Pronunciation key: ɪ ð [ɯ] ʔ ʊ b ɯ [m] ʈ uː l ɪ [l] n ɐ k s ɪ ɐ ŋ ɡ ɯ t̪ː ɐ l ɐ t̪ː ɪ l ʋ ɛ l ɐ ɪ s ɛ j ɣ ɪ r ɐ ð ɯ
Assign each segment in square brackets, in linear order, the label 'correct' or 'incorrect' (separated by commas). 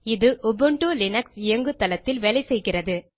correct, incorrect, incorrect